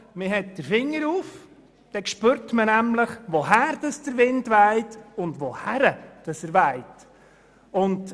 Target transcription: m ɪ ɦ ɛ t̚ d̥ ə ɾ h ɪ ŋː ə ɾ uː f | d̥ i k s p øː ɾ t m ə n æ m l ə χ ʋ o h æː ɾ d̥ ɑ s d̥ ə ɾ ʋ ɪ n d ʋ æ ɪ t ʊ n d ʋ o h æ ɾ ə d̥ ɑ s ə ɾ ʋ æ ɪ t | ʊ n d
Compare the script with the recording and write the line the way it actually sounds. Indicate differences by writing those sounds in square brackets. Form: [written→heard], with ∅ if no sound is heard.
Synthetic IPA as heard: m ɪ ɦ ɛ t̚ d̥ ə ɾ [h→f] ɪ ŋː ə ɾ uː f | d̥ [i→ɛ] k [s→ʃ] p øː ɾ t m ə n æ m l ə χ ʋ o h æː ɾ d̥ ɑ s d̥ ə ɾ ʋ ɪ n d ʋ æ ɪ t ʊ n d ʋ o h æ ɾ ə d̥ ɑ s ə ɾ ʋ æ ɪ t | ʊ n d